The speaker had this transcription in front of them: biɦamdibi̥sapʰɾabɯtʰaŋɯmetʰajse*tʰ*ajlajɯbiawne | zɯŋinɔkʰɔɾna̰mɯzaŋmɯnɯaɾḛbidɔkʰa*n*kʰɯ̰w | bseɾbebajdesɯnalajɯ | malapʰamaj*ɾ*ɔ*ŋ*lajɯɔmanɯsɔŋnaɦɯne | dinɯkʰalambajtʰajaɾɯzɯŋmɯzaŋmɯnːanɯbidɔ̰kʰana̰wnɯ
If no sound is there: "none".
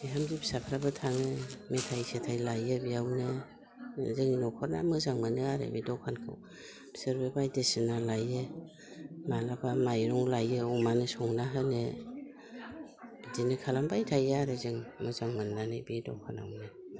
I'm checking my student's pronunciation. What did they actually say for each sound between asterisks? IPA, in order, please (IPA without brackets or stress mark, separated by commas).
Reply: tʰ, n, ɾ, ŋ